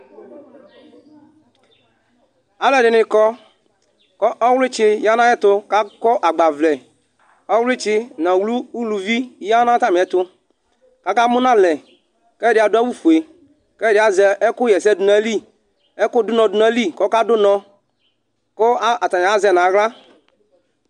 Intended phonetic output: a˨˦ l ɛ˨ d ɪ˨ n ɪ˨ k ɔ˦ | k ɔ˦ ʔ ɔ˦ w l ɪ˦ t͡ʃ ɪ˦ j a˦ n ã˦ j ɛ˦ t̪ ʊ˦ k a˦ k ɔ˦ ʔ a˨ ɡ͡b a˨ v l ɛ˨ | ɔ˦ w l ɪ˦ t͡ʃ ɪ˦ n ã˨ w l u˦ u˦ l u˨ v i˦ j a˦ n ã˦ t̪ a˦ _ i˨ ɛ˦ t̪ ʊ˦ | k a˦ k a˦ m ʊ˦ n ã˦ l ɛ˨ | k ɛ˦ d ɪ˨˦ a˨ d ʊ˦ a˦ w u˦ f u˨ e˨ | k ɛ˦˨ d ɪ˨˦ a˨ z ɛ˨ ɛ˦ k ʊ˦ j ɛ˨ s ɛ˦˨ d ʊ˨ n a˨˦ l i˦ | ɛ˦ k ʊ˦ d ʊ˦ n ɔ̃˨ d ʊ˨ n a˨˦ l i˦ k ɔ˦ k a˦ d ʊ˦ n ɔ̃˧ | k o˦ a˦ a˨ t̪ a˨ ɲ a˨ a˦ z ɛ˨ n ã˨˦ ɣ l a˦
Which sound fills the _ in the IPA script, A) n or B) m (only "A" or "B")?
B